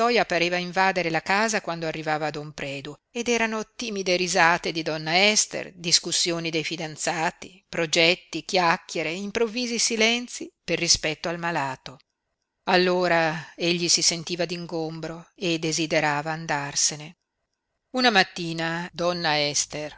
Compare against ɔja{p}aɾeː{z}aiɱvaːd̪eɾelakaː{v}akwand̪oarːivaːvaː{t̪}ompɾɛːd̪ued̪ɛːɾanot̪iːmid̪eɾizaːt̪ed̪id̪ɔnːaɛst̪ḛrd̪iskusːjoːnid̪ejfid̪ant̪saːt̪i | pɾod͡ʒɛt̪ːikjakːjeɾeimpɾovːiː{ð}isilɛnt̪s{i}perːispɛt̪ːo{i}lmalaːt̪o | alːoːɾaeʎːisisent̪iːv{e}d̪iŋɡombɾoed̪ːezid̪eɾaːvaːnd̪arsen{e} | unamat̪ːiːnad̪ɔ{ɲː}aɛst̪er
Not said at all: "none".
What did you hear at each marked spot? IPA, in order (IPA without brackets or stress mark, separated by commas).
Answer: p, v, z, d̪, z, i, a, a, e, nː